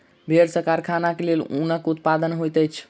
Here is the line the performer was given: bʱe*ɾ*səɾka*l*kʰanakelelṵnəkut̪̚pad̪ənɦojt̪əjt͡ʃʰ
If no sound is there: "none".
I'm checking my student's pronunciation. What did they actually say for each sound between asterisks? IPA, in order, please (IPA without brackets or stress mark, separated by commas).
ɾ, ɾ